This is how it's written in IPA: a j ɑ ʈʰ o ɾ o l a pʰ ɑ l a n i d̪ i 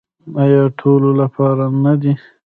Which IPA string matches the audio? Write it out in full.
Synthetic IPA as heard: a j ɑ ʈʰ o l o l a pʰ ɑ ɾ a n a d̪ i